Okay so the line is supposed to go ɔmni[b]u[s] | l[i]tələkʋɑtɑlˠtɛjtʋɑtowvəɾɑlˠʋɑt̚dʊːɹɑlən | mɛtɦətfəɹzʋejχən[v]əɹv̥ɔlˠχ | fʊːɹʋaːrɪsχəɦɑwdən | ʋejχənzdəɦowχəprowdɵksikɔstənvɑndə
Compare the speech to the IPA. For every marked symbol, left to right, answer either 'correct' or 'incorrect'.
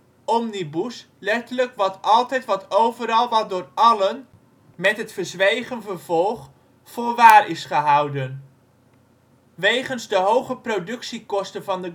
correct, correct, incorrect, correct

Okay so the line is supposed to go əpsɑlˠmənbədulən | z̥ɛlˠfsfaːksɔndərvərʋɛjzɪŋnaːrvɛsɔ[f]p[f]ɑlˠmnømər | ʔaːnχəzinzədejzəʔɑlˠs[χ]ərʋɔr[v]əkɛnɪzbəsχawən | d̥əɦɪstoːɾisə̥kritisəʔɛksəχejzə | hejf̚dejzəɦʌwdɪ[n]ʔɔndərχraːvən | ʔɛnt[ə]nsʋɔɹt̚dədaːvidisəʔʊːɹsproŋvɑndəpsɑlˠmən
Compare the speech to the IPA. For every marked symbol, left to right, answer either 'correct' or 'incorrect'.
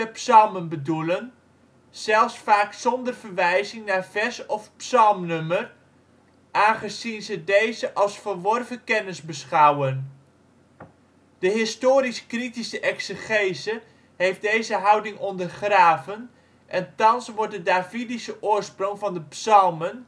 correct, incorrect, incorrect, correct, incorrect, incorrect

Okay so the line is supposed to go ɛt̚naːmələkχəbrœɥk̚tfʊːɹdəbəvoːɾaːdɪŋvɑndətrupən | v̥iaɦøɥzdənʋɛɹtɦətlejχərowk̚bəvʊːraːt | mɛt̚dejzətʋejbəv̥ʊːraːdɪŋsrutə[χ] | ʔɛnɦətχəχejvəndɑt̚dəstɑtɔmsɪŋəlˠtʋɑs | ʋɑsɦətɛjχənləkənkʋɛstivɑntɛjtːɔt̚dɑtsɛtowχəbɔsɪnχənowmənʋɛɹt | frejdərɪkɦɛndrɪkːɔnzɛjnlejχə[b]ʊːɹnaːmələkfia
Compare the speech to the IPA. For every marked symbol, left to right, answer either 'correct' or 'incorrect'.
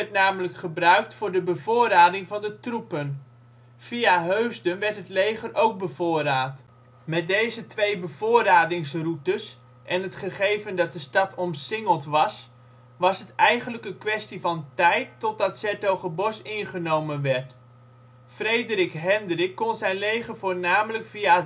incorrect, incorrect

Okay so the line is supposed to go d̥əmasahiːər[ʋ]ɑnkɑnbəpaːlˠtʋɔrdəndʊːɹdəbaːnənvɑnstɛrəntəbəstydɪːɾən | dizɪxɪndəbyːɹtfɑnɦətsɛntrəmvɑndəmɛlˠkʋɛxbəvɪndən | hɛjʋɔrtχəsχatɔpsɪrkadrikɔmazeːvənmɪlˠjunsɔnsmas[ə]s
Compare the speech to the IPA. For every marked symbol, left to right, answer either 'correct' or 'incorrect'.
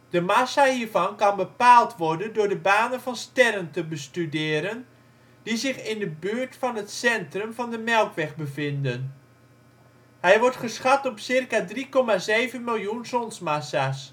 incorrect, incorrect

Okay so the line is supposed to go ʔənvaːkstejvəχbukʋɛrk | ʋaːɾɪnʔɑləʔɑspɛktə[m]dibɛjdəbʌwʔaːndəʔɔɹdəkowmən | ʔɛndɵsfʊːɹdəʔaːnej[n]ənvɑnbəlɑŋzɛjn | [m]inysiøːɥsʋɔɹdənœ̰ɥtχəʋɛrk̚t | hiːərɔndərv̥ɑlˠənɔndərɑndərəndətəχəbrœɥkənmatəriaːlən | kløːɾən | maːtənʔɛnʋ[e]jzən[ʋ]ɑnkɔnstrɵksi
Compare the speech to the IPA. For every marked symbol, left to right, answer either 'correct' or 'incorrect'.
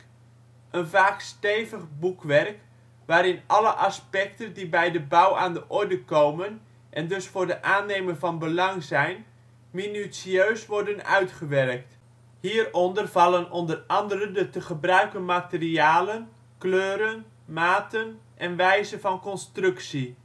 incorrect, incorrect, correct, incorrect, incorrect

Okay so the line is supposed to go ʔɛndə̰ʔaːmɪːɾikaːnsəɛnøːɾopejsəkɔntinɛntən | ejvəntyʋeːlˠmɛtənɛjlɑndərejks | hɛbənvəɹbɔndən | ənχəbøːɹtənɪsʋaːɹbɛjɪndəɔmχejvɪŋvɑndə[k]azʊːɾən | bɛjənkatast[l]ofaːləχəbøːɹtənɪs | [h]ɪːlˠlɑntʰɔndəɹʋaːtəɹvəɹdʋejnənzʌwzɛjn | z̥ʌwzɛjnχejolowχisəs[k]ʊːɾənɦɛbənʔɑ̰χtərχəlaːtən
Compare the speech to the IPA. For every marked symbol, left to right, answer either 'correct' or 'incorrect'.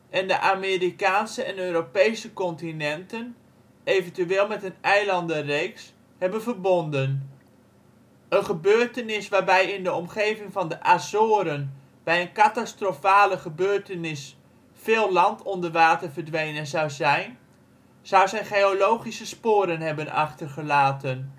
incorrect, incorrect, incorrect, incorrect

